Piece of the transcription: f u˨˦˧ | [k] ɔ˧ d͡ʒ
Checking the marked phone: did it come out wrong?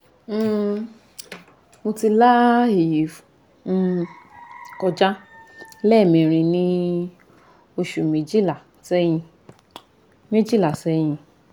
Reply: no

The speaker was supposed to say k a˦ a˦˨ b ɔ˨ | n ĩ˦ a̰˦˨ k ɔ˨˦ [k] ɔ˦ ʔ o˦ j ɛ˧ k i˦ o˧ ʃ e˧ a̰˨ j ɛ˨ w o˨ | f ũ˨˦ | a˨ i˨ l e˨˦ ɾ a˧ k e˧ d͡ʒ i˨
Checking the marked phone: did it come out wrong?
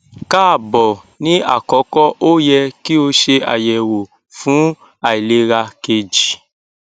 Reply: no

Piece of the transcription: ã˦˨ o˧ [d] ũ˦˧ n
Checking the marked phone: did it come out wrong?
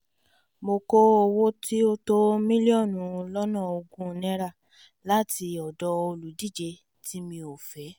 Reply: yes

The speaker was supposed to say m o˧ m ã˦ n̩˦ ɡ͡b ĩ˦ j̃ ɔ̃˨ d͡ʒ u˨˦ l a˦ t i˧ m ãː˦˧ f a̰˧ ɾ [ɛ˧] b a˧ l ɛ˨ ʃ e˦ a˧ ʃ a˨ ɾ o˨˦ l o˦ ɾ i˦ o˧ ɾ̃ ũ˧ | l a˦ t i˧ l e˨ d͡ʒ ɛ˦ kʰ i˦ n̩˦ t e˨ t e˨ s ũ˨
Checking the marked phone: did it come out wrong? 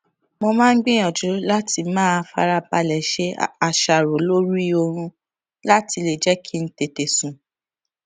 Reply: yes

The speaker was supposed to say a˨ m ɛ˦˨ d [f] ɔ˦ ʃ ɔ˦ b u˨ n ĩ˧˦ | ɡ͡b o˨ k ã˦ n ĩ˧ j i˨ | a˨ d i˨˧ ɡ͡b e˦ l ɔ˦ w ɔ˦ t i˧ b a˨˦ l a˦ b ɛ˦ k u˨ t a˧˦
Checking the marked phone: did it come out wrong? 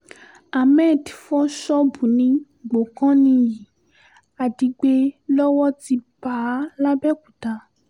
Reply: no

